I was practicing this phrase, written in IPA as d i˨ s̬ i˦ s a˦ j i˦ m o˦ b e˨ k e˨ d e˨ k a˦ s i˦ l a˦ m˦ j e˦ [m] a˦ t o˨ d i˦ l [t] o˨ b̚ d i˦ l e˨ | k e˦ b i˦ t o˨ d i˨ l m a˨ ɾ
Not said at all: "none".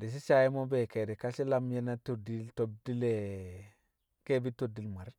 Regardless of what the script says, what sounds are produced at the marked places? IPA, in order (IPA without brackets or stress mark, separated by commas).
n, t